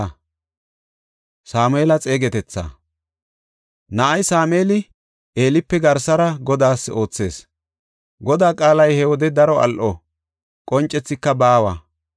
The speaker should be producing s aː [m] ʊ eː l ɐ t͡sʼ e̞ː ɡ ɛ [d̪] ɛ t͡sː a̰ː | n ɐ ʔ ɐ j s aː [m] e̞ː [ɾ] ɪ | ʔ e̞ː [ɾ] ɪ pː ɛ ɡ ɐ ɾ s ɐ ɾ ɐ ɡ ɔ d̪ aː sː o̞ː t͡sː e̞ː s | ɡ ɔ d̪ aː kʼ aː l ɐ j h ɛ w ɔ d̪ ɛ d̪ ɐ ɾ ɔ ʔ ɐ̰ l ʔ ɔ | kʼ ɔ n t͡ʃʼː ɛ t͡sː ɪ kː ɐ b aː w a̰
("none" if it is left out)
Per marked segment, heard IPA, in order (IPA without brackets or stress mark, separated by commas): m, t̪, m, l, l